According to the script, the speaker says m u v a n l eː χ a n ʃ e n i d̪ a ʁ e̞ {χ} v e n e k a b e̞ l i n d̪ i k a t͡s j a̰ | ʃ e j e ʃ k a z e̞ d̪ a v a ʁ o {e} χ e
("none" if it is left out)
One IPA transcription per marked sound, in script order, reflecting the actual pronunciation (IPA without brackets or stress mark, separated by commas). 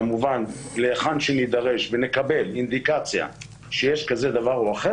ʃ, a